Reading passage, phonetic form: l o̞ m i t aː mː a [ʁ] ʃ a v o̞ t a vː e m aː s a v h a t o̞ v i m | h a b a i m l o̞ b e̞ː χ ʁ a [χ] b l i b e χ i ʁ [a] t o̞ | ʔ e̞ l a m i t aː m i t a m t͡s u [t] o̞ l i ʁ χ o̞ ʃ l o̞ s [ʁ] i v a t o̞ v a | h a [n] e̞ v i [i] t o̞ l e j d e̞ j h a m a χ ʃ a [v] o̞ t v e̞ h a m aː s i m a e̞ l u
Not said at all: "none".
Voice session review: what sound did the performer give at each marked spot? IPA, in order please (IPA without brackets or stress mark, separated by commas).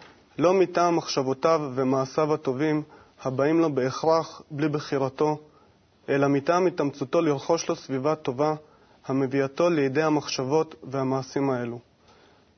χ, χ, a, t, v, m, a, v